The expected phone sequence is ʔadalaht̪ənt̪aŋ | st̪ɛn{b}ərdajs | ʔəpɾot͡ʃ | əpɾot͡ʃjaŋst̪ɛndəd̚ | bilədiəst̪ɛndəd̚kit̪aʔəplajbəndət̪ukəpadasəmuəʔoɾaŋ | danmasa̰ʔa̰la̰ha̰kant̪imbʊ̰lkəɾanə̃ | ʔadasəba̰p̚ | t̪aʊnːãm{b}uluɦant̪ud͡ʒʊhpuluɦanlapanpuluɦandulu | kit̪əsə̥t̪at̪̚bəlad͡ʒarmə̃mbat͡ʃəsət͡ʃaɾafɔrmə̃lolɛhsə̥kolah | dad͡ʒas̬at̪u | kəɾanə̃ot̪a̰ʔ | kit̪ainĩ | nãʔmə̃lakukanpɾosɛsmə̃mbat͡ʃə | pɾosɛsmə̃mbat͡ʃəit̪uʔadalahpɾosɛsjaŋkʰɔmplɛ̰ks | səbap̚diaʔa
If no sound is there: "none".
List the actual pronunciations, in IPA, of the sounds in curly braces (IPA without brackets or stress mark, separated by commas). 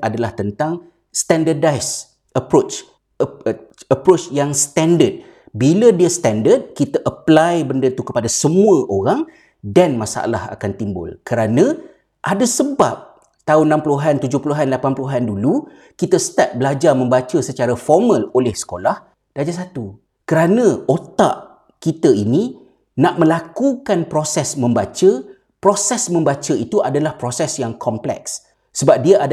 d, p